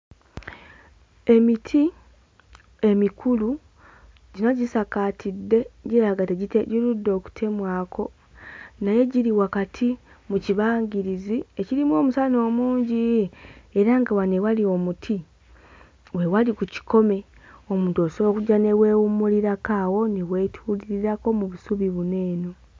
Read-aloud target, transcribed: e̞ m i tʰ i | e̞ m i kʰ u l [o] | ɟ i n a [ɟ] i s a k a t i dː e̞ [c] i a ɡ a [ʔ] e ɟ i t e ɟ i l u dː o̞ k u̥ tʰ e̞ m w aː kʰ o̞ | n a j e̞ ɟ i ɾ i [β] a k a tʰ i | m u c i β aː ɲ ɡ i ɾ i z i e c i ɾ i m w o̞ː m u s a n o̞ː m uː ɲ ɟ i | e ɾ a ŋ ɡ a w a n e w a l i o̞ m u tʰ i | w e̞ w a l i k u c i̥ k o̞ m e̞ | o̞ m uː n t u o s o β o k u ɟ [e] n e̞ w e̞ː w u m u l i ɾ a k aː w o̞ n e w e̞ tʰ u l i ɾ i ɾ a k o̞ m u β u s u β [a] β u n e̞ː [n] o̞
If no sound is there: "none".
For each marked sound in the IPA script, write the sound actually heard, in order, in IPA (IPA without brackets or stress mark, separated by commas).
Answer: u, ɟ, ɟ, t, w, a, i, n